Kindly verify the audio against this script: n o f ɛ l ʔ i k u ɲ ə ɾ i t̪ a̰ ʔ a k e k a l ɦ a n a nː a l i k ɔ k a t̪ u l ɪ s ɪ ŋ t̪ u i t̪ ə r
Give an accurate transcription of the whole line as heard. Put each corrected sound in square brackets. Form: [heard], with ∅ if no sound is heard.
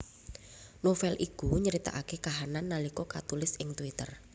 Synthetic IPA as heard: n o f ɛ l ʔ i k u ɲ ə ɾ i t̪ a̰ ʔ a k e k a [∅] ɦ a n a nː a l i k ɔ k a t̪ u l ɪ s ɪ ŋ t̪ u i t̪ ə r